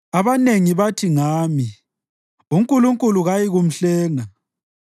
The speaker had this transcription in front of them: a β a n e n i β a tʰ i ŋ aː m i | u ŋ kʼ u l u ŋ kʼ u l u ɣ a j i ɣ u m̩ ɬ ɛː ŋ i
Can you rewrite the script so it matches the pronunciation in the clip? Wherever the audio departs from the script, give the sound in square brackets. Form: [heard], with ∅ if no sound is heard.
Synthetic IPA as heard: a β a n e [ŋ] i β a tʰ i ŋ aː m i | u ŋ kʼ u l u ŋ kʼ u l u ɣ a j i ɣ u m̩ ɬ ɛː ŋ [a]